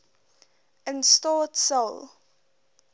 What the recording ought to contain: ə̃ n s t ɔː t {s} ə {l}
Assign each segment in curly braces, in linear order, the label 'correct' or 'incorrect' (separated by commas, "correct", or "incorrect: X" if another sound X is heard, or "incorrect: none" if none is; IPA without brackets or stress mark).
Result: correct, correct